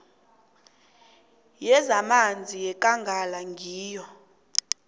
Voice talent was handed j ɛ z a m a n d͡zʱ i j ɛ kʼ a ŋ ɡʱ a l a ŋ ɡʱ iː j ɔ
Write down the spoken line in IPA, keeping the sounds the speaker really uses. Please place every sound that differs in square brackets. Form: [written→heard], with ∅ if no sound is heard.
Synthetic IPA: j ɛ z a m a n d͡zʱ i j ɛ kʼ a ŋ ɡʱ a l a ŋ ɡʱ iː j ɔ